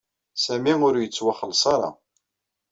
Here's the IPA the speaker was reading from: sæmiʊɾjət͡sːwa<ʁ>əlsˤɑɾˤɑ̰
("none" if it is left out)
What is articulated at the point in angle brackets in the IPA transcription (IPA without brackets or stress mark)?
χ